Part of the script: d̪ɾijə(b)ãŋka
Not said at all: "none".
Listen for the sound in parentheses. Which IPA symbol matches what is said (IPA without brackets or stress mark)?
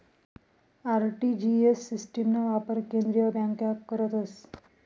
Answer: b